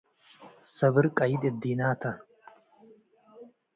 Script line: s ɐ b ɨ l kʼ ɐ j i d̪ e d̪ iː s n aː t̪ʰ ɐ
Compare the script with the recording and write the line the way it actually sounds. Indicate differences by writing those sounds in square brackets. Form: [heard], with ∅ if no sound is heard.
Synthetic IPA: s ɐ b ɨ [ɾ] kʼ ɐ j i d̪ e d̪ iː [∅] n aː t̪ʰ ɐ